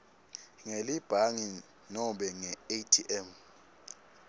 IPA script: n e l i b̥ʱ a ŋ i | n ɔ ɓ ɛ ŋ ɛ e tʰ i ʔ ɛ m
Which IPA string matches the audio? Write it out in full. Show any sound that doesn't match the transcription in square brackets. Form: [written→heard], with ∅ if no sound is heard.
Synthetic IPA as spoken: [n→ŋ] e l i b̥ʱ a ŋ i | n ɔ ɓ ɛ ŋ ɛ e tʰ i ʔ ɛ m